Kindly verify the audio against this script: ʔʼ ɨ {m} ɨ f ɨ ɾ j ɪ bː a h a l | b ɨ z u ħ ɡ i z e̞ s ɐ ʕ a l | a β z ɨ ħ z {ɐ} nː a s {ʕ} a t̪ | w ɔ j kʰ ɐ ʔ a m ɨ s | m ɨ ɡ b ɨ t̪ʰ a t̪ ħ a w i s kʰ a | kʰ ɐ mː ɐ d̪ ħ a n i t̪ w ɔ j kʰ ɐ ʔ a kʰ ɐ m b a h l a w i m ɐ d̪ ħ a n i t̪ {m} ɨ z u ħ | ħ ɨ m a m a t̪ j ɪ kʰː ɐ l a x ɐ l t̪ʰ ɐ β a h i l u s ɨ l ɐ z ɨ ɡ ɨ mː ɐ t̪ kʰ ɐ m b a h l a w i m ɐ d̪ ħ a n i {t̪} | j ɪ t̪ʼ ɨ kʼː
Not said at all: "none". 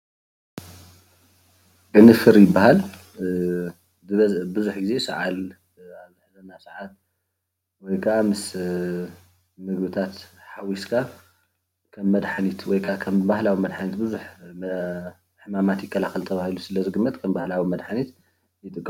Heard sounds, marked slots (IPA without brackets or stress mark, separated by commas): n, ɐ, ʕ, b, t̪